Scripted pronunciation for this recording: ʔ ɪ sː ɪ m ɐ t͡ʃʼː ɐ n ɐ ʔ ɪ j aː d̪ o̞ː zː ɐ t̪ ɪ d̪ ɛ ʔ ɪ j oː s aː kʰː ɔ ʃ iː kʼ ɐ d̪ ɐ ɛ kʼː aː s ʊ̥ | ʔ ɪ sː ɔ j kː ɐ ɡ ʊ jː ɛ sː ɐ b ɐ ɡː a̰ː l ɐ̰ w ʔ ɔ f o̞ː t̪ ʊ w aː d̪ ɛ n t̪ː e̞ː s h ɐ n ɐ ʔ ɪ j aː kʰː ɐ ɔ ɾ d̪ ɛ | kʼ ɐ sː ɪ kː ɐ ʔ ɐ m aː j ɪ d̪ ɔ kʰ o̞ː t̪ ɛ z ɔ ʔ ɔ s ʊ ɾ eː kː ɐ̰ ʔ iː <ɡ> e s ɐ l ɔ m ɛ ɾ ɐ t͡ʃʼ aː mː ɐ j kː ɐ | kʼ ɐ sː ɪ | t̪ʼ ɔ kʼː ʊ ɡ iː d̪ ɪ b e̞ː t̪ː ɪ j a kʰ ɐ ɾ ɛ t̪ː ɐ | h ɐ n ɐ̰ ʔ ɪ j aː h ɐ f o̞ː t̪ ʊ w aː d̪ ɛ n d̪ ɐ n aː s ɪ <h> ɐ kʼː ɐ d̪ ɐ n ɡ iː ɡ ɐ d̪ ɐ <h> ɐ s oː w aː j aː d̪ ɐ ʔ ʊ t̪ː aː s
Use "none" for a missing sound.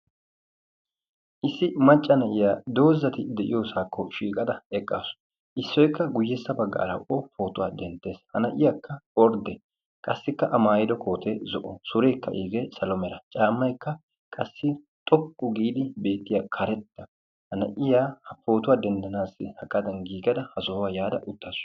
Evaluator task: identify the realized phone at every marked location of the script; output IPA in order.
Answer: ɡ, h, h

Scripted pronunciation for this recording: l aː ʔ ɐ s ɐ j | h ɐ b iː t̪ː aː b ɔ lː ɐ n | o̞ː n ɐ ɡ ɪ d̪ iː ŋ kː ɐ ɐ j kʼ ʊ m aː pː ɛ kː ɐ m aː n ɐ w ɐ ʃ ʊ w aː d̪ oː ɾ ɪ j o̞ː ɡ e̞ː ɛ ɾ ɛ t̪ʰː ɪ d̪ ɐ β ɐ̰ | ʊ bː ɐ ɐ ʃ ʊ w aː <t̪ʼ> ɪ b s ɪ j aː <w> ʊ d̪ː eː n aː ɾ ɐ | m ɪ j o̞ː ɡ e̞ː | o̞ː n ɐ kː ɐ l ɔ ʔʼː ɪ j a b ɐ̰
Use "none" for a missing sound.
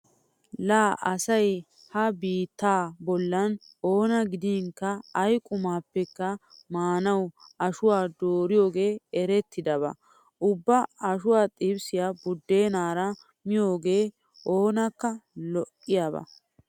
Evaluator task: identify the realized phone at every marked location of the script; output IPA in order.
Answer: t̪ʼ, b

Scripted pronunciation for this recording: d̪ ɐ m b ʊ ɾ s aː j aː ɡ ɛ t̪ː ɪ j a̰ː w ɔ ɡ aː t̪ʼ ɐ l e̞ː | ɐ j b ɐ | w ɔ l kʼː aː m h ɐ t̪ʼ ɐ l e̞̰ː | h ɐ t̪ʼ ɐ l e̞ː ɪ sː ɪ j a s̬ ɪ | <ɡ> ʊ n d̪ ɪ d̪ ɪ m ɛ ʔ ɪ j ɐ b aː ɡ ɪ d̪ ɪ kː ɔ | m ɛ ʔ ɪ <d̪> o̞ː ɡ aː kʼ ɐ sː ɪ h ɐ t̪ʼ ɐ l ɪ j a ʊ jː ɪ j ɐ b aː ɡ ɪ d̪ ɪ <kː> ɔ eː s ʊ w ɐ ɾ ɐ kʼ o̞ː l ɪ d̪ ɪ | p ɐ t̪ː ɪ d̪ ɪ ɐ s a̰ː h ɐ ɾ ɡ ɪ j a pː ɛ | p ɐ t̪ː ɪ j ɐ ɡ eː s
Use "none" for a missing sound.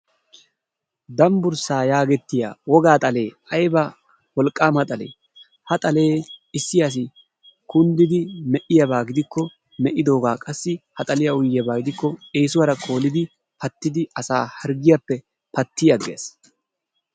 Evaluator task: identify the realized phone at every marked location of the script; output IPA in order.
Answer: k, d̪, kː

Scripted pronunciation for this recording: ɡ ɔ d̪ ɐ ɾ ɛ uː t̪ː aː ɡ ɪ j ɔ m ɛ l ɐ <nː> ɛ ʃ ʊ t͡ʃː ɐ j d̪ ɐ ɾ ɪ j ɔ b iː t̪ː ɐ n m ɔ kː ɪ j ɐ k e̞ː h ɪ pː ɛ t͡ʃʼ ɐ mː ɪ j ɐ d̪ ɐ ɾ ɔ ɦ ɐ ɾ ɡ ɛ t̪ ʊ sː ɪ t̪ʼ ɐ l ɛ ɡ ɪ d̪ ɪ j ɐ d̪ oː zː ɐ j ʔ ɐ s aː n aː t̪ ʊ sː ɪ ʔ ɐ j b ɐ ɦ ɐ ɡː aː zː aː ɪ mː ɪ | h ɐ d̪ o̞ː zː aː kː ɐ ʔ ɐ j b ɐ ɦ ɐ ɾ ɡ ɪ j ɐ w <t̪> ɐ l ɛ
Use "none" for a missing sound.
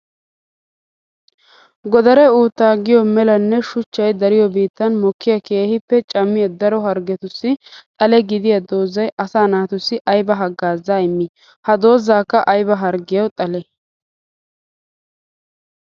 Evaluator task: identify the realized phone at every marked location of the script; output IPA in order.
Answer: nː, t̪ʼ

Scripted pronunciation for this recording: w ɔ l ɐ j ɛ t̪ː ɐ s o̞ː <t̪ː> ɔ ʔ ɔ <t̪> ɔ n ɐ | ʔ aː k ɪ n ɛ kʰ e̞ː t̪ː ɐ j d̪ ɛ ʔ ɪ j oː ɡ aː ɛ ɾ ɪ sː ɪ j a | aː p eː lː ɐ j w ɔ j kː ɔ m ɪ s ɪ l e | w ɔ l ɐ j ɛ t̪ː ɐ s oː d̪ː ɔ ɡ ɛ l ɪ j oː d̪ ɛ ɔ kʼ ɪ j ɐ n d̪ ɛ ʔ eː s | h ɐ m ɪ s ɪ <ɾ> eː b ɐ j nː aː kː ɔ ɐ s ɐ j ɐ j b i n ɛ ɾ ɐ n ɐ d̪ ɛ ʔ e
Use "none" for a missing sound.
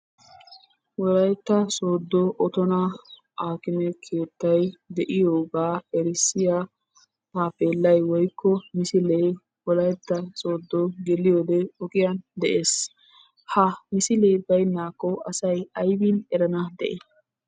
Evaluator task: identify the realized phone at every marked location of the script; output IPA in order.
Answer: d̪ː, t̪, l

